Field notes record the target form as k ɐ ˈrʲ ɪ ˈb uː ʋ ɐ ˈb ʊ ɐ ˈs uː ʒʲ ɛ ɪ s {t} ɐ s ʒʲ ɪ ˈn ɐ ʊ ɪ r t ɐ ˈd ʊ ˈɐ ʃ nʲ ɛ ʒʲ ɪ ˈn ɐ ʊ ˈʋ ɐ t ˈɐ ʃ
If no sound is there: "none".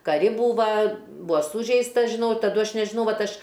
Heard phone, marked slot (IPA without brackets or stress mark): t